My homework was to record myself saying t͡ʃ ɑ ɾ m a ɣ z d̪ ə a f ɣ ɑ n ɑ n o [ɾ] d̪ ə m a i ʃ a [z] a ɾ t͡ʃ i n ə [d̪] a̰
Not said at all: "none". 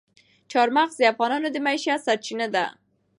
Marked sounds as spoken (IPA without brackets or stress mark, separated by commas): none, s, d̪